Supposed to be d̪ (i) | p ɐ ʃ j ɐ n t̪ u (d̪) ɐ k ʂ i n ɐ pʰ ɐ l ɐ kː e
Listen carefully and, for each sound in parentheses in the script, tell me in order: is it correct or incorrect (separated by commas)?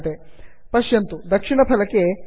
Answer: incorrect, correct